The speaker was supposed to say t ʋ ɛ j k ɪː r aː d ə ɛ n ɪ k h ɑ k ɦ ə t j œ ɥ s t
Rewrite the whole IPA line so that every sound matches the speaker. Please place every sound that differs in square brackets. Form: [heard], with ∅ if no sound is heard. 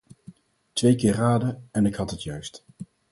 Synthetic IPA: t ʋ [e] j k ɪː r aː d ə ɛ n ɪ k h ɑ [t] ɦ ə t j œ ɥ s t